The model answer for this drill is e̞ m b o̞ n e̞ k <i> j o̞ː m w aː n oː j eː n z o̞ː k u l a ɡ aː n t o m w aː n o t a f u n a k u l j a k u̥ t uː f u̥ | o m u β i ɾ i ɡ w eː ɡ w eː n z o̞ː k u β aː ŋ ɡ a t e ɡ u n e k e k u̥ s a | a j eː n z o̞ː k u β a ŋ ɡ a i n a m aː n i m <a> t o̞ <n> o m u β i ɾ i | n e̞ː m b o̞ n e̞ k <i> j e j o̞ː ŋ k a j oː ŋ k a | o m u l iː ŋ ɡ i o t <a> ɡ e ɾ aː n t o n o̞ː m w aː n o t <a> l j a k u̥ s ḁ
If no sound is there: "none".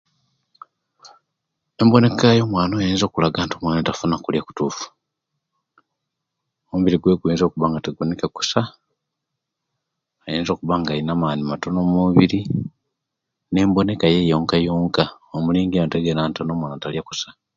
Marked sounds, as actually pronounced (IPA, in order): a, a, n, a, e, a

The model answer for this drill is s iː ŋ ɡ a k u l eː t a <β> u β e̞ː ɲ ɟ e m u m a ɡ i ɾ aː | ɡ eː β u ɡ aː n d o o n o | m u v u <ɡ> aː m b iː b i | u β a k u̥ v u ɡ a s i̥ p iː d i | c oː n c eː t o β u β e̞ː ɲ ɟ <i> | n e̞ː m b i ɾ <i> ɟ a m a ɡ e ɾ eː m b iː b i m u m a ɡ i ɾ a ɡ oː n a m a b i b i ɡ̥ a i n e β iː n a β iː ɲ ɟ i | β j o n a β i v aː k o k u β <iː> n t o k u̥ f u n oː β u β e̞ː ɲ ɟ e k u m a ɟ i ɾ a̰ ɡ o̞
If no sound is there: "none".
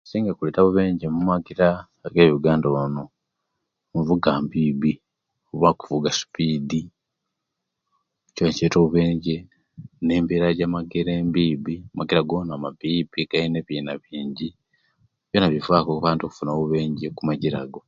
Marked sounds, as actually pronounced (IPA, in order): β, ɡ, e, a, aː

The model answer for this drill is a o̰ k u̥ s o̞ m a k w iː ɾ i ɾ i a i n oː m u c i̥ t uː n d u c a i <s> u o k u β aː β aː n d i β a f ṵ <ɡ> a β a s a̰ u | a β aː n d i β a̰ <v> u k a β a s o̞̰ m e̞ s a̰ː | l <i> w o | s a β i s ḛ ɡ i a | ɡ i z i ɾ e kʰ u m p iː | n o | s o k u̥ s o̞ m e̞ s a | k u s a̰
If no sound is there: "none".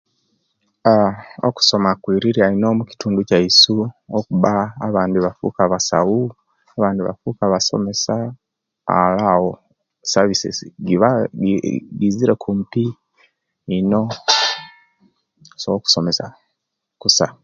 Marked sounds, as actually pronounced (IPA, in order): s, k, f, a

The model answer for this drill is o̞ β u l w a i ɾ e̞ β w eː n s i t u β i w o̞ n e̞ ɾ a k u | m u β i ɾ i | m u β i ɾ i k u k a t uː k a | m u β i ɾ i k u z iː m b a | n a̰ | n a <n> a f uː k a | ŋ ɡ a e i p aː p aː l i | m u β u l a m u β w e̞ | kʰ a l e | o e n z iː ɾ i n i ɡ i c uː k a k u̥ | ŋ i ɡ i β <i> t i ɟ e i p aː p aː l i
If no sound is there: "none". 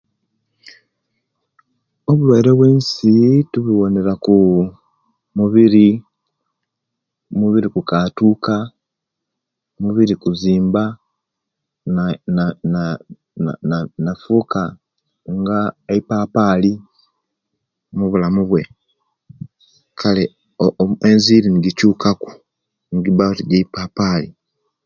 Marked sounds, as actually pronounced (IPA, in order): n, a

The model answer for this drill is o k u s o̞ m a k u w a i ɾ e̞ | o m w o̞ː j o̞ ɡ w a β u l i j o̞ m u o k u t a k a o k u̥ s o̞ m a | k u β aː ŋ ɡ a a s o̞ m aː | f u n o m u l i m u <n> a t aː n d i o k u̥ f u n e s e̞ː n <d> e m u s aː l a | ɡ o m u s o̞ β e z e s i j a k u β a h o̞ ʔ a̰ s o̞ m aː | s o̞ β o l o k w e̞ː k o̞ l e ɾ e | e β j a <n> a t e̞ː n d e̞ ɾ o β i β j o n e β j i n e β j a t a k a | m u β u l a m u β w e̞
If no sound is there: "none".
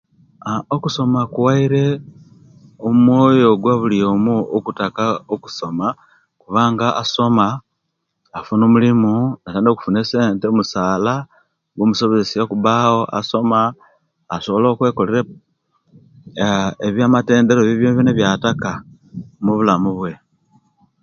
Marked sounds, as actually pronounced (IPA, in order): n, t, m

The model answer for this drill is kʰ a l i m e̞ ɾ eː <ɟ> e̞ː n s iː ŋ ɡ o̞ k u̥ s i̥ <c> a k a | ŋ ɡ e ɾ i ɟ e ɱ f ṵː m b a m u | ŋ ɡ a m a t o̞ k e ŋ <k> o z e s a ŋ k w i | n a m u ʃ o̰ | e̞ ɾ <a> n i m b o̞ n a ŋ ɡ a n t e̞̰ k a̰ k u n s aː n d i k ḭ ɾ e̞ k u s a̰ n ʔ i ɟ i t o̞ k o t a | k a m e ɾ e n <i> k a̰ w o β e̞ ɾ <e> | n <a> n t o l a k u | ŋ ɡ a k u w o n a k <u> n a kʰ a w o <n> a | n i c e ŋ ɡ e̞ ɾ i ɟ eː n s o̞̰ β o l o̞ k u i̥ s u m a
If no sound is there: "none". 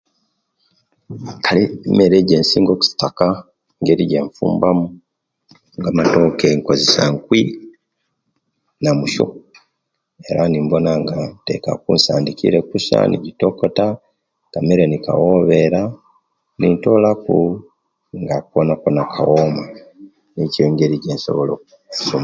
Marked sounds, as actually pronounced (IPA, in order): ɟ, t, k, a, i, a, i, o, m

